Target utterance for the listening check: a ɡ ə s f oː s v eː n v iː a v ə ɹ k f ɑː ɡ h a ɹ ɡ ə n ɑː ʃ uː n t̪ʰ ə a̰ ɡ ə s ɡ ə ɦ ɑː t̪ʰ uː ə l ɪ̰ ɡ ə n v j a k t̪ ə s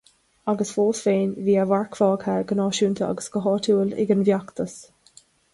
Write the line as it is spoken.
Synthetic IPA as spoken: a ɡ ə s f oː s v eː n v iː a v a ɹ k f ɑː ɡ h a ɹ ɡ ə n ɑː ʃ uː n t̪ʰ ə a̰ ɡ ə s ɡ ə ɦ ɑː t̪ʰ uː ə l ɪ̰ ɡ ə n v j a k t̪ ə s

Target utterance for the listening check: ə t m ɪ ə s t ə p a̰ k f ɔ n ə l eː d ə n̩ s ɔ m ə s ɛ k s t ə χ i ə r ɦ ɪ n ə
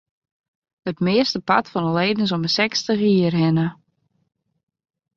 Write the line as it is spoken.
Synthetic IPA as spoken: ə t m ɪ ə s t ə p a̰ t f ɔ n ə l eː d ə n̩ s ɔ m ə s ɛ k s t ə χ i ə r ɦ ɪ n ə

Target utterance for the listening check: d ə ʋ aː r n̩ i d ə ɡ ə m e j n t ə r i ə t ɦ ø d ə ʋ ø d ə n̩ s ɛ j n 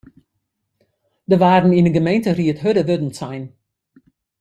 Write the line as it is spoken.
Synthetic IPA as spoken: d ə ʋ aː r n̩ i n ə ɡ ə m e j n t ə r i ə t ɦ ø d ə ʋ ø d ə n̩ s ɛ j n

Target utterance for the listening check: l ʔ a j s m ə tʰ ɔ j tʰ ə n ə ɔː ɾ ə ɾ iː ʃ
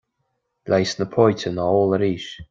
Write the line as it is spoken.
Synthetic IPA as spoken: l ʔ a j s n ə pʰ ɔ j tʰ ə n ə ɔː l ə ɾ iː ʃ

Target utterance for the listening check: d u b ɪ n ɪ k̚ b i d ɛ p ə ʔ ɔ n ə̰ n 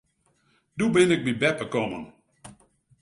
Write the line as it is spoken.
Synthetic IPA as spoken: d u b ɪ n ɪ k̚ b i b ɛ p ə k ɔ m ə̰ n

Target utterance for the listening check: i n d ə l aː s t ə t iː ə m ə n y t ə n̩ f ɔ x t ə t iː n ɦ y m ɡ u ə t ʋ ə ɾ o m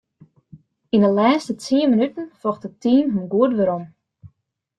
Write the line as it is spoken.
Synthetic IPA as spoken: i n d ə l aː s t ə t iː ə m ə n y t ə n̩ f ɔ x t ə t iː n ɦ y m ɡ u ə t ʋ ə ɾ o m

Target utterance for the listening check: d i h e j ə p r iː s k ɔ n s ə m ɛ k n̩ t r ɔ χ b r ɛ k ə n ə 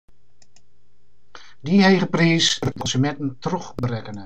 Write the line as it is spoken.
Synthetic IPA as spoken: d i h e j ə p r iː s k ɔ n s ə m ɛ t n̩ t r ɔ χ b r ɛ k ə n ə

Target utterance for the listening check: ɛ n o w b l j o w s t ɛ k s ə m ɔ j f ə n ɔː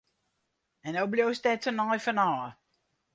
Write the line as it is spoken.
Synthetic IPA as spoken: ɛ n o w b l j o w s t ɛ t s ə n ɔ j f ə n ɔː

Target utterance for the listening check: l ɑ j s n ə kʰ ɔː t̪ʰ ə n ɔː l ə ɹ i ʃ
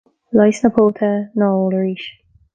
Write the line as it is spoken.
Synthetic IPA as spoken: l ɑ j s n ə pʰ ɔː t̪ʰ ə n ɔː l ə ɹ i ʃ

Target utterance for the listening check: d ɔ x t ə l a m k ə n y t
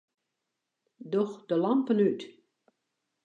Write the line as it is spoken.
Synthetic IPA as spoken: d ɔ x d ə l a m p ə n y t

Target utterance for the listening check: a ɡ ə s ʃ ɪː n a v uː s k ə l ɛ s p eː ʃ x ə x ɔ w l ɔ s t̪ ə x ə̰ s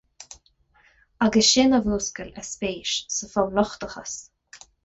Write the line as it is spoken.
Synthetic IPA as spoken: a ɡ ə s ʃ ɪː n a v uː s k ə l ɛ s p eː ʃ s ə f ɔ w l ɔ x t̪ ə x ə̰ s

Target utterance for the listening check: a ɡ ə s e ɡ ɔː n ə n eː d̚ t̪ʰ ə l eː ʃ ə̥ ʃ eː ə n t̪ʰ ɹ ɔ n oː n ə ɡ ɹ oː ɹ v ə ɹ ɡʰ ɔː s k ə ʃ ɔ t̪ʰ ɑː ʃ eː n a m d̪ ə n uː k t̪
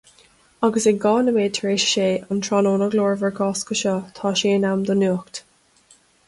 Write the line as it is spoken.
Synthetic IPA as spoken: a ɡ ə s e ɡ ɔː n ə m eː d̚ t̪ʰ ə ɹ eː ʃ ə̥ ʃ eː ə n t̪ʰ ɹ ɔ n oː n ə ɡ l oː ɹ v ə ɹ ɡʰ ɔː s k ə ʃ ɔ t̪ʰ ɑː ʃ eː n a m d̪ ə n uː k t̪

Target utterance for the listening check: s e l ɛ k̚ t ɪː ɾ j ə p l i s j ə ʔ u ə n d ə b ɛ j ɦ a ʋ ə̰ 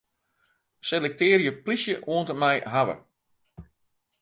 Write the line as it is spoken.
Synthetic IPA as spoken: s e l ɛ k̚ t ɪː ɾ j ə p l i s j ə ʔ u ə n t ə m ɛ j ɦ a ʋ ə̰

